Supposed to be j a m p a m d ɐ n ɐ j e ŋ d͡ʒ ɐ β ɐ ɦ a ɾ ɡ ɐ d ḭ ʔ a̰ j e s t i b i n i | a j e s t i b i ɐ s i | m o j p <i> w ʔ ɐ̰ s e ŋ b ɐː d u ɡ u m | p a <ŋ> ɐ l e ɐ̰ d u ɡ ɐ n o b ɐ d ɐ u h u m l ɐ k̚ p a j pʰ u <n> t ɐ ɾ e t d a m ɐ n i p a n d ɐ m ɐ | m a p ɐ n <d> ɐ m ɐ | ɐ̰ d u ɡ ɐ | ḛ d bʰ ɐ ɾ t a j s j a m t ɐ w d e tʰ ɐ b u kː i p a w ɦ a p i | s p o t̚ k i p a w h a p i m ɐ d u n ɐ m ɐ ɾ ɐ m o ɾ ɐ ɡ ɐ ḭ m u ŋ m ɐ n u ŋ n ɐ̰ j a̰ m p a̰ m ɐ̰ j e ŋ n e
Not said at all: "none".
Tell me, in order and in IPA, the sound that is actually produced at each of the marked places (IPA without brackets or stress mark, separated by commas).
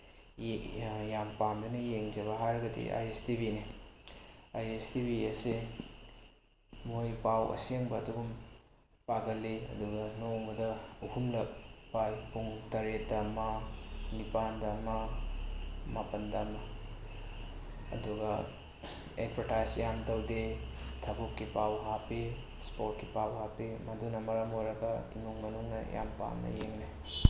a, ɡ, ŋ, d